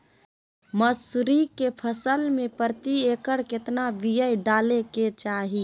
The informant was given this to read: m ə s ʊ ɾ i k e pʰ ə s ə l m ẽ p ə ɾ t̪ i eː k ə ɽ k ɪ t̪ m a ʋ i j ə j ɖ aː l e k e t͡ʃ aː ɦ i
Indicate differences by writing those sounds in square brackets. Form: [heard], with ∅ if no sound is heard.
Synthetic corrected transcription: m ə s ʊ ɾ i k e pʰ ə s ə l m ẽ p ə ɾ t̪ i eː k ə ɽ k ɪ t̪ [n] a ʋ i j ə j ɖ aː l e k e t͡ʃ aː ɦ i